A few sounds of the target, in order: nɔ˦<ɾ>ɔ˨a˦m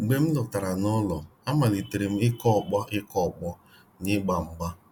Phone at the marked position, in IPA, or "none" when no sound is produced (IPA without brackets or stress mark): l